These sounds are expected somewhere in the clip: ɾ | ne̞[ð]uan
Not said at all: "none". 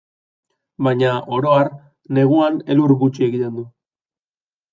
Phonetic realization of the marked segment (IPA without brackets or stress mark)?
ɣ